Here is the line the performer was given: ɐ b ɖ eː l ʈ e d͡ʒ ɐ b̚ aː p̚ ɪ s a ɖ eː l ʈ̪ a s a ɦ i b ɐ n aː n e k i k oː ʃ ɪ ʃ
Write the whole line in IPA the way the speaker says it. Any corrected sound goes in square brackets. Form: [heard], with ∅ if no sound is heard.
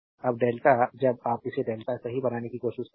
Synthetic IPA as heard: ɐ b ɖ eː l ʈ [a] d͡ʒ ɐ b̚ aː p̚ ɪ s [e] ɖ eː l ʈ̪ a s [ɐ] ɦ i b ɐ n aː n e k i k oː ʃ ɪ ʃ